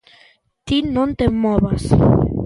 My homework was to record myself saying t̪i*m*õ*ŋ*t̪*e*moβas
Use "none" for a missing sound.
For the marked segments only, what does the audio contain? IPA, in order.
n, n, e

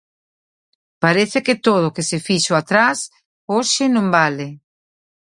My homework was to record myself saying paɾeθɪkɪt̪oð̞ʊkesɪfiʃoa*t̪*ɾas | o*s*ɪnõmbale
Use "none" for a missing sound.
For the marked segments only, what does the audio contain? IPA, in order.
t̪, ʃ

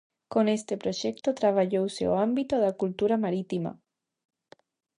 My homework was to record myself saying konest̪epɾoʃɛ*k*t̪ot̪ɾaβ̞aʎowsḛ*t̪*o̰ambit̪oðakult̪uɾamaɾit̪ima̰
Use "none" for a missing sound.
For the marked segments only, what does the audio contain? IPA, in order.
k, none

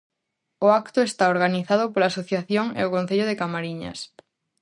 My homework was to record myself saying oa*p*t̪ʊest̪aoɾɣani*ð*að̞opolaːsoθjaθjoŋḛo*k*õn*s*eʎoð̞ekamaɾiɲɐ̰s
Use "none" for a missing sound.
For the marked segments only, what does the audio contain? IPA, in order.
k, θ, k, θ

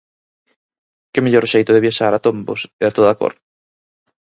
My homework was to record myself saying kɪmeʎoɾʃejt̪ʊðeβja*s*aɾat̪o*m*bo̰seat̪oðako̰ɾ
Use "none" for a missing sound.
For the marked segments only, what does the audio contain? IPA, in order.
ʃ, m

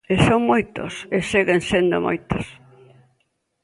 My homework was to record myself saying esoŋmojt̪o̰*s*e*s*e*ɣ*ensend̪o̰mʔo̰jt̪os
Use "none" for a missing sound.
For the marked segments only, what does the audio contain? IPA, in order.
s, s, ɣ

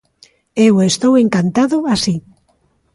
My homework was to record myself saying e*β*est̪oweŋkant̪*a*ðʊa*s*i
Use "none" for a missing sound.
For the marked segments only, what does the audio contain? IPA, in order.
w, a, s

